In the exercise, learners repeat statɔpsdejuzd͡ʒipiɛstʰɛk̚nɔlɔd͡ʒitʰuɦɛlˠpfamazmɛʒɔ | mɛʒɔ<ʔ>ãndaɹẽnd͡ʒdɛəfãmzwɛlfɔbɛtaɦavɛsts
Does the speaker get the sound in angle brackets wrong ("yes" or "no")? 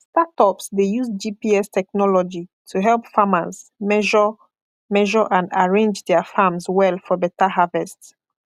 no